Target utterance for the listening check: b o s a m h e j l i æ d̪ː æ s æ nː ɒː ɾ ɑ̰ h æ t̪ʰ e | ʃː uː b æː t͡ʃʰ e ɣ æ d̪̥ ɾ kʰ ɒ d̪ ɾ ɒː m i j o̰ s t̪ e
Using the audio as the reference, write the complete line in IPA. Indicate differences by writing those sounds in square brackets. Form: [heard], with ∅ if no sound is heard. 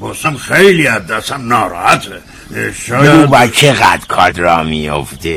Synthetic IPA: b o s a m [x] e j l i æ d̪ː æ s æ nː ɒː ɾ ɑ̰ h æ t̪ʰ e | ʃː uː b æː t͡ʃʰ e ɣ æ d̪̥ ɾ kʰ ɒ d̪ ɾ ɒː m i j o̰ [f] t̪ e